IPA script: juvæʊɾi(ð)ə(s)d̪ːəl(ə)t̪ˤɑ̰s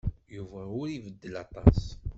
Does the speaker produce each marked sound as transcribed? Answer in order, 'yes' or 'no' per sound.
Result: no, no, no

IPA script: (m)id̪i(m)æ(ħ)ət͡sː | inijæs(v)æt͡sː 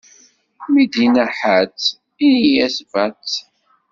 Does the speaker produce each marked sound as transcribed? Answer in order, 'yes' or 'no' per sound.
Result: yes, no, yes, yes

